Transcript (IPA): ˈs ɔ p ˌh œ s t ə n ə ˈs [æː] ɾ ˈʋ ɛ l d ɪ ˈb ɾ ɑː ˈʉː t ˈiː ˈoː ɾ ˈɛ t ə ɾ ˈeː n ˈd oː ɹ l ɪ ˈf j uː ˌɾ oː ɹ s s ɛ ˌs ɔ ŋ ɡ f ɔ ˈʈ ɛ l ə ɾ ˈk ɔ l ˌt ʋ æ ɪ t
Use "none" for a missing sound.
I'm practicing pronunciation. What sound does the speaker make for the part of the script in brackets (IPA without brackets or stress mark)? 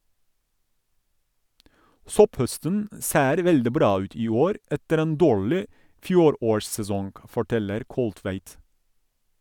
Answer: eː